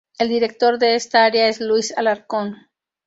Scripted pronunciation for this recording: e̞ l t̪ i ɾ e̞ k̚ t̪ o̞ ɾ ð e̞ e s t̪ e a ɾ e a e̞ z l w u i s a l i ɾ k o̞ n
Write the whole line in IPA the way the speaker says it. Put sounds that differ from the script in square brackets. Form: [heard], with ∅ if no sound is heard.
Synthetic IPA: e̞ l [d̪] i ɾ e̞ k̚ t̪ o̞ ɾ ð e̞ e s t̪ [a] a ɾ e a e̞ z l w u i s a l [a] ɾ k o̞ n